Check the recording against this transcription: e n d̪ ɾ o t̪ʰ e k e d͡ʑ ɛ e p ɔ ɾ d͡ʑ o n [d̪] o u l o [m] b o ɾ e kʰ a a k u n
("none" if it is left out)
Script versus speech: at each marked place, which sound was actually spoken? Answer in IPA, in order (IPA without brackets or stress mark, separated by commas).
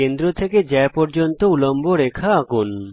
t̪, m